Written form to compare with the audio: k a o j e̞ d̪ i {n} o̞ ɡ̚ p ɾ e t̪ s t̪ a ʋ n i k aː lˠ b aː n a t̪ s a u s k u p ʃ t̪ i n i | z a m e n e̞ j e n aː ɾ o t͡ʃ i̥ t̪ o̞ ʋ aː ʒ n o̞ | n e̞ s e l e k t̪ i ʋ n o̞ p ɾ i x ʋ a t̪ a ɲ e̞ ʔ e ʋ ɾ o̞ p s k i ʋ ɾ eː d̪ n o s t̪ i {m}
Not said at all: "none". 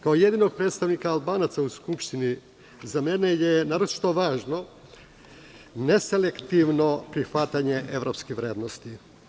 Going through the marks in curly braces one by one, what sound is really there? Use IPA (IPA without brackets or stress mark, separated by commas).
n, none